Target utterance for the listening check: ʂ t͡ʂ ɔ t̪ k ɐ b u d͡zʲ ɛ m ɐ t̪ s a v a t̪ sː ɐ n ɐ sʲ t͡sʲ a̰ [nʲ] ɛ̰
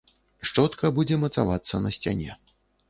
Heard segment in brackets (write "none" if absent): nʲ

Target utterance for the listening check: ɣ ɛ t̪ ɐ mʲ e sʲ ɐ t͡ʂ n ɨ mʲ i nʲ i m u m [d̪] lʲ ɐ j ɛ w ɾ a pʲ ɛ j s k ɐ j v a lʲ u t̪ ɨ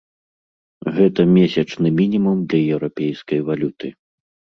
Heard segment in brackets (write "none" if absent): d̪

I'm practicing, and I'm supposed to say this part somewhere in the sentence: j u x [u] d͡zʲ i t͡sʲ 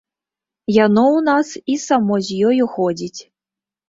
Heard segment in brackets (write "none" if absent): ɔ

